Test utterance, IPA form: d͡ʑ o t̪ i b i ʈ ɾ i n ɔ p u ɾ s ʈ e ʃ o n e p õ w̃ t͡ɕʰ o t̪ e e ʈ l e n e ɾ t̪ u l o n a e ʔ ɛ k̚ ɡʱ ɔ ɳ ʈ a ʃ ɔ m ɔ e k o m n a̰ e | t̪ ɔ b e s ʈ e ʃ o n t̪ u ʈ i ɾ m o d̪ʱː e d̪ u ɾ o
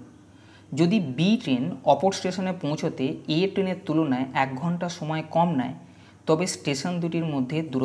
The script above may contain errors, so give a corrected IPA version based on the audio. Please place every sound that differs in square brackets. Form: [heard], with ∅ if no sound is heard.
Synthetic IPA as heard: d͡ʑ o [d̪] i b i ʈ ɾ [e] n ɔ p [o] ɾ s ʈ e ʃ o n e p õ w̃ t͡ɕʰ o t̪ e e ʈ [ɾ] e n e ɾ t̪ u l o n a e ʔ ɛ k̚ ɡʱ ɔ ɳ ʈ a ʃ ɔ m ɔ e k [ɔ] m n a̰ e | t̪ ɔ b e s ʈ e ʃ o n [d̪] u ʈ i ɾ m o d̪ʱː e d̪ u ɾ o